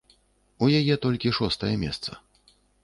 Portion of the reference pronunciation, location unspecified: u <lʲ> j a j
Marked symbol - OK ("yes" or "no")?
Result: no